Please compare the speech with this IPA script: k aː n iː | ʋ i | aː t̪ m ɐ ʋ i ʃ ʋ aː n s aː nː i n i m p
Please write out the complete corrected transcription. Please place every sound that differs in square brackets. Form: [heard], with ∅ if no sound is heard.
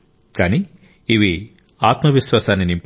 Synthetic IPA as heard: k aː n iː | ʋ i | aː t̪ m ɐ ʋ i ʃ ʋ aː [∅] s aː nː i n i m p